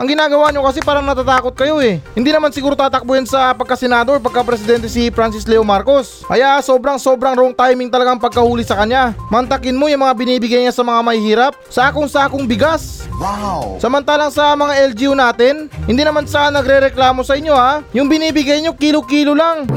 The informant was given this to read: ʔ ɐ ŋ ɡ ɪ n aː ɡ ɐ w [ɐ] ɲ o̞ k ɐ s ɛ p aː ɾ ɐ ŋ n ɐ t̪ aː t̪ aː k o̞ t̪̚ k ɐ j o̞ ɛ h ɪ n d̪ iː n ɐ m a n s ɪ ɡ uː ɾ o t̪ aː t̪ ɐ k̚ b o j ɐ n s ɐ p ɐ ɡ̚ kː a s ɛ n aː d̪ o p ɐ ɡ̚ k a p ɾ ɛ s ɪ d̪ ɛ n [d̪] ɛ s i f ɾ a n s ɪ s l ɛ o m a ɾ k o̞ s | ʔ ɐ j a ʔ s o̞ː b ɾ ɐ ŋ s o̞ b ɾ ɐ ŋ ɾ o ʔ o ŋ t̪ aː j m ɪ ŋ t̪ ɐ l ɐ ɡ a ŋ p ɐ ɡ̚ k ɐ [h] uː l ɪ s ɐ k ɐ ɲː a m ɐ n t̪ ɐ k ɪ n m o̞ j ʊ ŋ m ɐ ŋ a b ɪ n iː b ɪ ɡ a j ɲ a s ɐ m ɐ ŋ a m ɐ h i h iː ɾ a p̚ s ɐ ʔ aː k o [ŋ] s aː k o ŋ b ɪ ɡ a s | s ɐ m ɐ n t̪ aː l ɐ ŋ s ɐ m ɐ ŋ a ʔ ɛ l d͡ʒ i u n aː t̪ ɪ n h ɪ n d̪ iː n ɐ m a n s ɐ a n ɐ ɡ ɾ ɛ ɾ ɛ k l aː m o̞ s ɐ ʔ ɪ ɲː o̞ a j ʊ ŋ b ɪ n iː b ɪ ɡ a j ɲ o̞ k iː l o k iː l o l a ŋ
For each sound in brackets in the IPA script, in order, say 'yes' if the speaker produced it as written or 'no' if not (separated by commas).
no, no, yes, yes